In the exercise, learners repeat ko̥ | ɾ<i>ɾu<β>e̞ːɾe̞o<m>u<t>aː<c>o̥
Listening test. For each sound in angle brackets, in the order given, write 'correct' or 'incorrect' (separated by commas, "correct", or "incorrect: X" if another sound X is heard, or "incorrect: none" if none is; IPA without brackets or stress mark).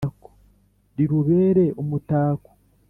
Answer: correct, correct, correct, correct, incorrect: k